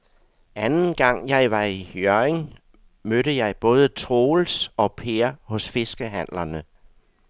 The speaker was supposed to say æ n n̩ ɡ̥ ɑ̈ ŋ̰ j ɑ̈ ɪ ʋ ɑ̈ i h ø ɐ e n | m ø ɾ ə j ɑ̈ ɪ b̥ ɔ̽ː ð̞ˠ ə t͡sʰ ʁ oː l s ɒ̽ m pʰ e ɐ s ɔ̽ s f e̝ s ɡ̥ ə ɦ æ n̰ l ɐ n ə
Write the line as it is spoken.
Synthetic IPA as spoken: æ n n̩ ɡ̥ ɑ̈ ŋ̰ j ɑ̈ ɪ ʋ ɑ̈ i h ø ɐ e ŋ | m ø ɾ ə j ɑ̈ ɪ b̥ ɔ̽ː ð̞ˠ ə t͡sʰ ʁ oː l s ɒ̽ pʰ e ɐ h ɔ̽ s f e̝ s ɡ̥ ə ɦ æ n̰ l ɐ n ə